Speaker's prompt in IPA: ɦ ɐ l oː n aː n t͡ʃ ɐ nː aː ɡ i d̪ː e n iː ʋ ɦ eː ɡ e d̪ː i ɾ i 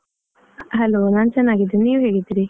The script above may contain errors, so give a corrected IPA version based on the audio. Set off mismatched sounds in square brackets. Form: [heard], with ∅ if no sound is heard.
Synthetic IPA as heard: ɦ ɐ l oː n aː n t͡ʃ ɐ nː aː ɡ i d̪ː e n iː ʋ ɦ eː ɡ [i] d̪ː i ɾ i